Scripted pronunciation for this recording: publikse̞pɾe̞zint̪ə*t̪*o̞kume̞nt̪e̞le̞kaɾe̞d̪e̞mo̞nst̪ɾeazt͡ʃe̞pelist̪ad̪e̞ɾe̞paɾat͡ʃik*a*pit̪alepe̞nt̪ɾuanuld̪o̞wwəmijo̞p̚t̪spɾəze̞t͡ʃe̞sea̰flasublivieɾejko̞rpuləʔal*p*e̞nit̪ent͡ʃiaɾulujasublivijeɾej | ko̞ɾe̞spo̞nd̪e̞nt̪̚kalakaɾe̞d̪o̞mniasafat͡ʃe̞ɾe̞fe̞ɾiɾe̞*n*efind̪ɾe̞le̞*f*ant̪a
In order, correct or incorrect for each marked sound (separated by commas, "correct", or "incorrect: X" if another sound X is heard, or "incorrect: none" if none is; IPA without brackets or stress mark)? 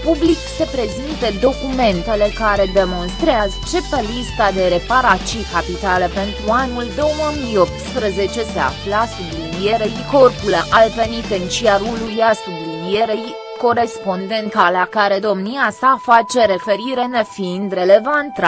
incorrect: d̪, correct, correct, correct, incorrect: v